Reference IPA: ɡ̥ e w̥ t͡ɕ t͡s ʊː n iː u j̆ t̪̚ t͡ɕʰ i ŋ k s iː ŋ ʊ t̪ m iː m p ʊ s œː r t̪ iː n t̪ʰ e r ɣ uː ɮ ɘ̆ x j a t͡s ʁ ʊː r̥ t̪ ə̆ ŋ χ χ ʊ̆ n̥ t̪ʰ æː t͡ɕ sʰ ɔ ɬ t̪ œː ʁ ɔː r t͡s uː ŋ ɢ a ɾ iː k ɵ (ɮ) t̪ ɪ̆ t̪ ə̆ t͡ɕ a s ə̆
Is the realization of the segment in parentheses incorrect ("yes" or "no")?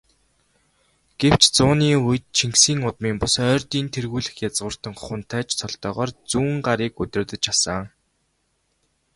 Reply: yes